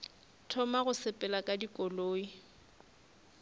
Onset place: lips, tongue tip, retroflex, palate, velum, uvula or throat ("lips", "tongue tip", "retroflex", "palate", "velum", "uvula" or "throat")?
tongue tip